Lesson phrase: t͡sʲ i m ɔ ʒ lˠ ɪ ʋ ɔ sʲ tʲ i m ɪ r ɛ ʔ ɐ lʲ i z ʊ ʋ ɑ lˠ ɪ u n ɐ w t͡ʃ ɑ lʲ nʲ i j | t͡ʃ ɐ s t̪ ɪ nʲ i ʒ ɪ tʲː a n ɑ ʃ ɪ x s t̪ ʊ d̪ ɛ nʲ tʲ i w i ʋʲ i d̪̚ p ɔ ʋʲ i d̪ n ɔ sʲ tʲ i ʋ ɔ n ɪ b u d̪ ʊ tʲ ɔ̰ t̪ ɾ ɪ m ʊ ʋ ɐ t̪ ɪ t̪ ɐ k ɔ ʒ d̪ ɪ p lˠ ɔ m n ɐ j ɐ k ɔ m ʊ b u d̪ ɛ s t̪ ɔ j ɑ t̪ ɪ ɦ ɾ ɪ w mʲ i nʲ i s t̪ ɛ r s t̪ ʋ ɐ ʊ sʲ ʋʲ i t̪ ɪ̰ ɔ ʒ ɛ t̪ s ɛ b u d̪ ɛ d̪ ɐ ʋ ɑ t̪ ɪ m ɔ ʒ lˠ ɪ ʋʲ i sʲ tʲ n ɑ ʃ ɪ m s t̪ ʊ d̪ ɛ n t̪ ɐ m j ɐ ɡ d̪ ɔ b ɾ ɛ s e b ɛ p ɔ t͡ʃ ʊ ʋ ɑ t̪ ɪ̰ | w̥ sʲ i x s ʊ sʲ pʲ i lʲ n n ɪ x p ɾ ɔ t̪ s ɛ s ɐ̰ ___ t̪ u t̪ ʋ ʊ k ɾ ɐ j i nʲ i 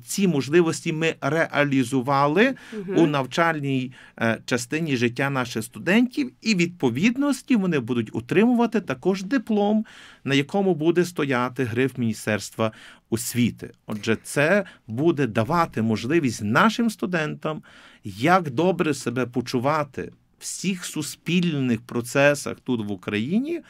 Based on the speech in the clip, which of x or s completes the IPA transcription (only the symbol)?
x